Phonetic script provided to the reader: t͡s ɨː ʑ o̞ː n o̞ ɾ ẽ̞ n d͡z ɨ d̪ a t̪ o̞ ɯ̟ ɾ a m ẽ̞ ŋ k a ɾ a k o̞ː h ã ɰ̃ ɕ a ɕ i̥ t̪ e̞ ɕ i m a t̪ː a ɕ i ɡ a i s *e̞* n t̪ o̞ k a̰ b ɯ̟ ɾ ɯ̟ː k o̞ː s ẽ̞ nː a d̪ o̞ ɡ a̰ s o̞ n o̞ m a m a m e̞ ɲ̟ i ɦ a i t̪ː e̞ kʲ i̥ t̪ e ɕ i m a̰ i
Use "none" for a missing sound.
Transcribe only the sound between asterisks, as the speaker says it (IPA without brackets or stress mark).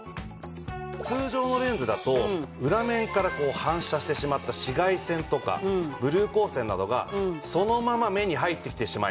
ẽ̞